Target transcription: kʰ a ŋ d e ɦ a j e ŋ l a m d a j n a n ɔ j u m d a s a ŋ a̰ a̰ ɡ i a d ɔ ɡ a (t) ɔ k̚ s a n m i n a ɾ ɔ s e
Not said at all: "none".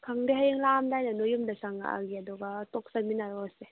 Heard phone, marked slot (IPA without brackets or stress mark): t